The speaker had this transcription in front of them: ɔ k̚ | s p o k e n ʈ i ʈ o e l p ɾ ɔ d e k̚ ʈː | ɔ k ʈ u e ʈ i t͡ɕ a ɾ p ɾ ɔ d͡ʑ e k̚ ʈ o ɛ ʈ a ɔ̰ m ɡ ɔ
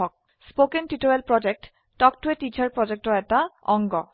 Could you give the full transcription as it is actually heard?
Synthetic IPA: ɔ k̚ | s p o k e n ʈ i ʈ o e l p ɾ ɔ d͡ʑ e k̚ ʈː | ɔ k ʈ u e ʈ i t͡ɕ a ɾ p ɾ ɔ d͡ʑ e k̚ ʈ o ɛ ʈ a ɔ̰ ŋ ɡ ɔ